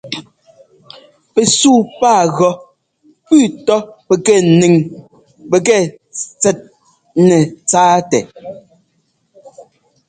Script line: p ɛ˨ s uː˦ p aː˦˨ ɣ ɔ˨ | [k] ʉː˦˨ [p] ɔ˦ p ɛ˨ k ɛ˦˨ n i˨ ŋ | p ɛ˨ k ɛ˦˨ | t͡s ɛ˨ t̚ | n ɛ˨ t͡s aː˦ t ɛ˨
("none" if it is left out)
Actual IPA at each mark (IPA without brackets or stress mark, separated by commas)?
p, t